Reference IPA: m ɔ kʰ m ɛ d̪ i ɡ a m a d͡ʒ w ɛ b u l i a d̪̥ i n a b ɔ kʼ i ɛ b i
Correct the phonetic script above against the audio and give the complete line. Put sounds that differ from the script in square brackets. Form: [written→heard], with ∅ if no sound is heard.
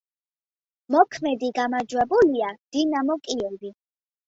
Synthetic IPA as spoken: m ɔ kʰ m ɛ d̪ i ɡ a m a d͡ʒ w ɛ b u l i a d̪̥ i n a [b→m] ɔ kʼ i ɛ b i